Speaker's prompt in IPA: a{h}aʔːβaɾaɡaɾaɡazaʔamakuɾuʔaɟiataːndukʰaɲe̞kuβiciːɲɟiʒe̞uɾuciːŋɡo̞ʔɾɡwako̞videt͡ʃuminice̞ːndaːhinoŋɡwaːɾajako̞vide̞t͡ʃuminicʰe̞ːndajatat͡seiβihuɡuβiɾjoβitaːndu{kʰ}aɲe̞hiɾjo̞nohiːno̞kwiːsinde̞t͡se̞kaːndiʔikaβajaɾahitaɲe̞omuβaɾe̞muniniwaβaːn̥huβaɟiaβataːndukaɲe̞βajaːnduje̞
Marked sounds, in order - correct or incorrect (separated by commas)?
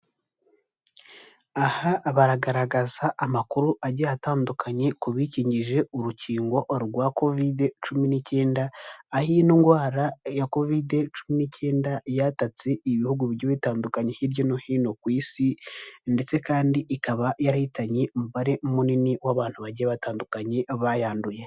correct, incorrect